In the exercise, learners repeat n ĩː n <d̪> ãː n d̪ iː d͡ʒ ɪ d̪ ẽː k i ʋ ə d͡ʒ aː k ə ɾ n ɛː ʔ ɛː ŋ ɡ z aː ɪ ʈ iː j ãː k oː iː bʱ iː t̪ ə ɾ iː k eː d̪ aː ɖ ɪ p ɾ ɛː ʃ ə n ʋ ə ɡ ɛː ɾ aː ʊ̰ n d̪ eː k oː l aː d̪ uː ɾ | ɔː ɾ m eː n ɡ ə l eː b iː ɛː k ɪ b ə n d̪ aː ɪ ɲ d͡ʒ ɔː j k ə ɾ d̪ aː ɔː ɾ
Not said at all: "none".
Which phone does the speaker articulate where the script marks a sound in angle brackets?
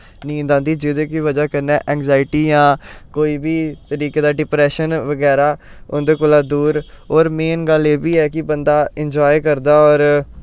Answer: d̪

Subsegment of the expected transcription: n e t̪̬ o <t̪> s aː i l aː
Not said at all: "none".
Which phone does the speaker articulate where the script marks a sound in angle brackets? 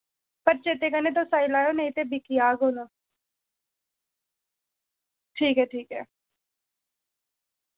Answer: none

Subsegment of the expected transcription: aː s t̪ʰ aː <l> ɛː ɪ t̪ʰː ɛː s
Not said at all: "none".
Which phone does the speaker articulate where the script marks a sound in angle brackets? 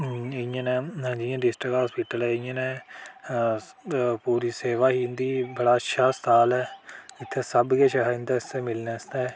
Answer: l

